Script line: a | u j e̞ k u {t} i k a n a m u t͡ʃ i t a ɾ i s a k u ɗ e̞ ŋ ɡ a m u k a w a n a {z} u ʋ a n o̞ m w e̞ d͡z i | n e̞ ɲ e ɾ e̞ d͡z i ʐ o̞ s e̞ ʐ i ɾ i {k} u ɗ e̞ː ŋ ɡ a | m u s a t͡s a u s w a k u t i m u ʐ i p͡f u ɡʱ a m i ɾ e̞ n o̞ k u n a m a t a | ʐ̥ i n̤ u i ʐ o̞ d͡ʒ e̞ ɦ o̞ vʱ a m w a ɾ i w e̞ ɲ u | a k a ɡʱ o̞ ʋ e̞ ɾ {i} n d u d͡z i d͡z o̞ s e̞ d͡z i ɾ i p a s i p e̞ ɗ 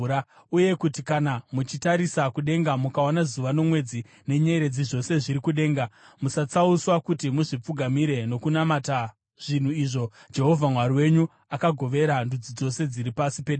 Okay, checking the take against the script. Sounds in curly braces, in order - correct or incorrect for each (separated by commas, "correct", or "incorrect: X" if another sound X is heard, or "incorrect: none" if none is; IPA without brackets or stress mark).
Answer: correct, correct, correct, incorrect: a